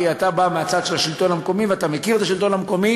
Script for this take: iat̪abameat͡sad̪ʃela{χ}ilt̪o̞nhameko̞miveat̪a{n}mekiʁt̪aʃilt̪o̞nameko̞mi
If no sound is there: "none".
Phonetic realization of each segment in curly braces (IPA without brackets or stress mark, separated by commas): ʃ, none